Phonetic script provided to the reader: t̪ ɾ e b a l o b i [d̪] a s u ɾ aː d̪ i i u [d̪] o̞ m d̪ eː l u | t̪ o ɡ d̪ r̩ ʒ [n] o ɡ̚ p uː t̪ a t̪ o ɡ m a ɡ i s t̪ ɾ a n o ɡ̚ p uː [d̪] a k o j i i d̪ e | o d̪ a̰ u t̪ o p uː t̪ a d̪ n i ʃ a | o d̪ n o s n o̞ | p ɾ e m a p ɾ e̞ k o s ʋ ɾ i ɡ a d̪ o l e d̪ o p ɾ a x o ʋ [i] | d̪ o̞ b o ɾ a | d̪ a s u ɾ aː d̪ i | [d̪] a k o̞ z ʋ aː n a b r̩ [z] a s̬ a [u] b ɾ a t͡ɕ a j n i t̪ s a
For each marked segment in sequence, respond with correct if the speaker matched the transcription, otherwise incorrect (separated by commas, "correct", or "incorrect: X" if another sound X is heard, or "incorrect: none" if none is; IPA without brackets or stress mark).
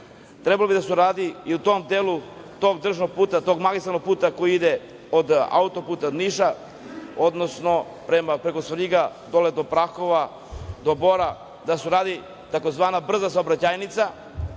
correct, incorrect: t̪, correct, incorrect: t̪, incorrect: a, incorrect: t̪, correct, incorrect: o